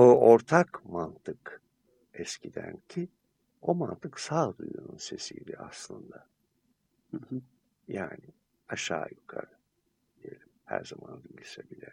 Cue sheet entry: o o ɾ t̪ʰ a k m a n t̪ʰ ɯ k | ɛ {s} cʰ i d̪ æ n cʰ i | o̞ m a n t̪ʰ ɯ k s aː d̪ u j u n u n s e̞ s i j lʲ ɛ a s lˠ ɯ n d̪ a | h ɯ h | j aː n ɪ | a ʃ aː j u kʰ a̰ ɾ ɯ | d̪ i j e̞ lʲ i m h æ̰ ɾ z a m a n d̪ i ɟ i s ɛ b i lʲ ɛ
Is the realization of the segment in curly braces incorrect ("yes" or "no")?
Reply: no